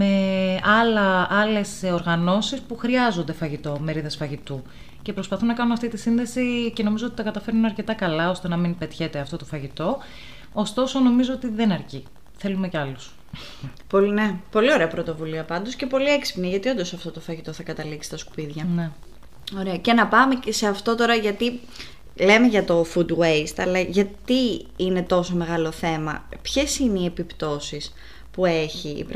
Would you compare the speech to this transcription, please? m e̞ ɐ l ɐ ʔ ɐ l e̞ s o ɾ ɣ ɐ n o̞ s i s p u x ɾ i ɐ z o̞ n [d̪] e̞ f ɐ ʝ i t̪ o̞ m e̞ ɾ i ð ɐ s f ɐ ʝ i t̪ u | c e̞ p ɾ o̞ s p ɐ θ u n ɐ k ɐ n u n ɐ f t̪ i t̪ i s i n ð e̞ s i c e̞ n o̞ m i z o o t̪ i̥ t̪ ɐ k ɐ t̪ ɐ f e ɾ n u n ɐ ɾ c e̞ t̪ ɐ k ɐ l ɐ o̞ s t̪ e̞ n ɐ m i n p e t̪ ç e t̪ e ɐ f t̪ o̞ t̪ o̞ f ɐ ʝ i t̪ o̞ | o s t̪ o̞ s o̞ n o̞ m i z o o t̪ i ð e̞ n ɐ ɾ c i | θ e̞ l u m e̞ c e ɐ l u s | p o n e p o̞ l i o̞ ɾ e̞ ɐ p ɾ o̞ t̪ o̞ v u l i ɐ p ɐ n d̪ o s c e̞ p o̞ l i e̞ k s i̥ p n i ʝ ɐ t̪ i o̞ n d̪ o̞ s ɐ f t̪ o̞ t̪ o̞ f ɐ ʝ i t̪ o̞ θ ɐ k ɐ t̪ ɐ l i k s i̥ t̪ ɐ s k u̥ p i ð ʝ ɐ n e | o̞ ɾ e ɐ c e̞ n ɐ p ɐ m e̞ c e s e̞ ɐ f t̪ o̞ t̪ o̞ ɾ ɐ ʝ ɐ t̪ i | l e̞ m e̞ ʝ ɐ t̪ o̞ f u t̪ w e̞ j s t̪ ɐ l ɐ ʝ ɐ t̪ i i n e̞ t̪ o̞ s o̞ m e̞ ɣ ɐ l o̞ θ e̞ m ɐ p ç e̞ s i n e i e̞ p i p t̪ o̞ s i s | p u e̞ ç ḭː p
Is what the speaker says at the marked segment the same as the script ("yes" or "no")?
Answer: yes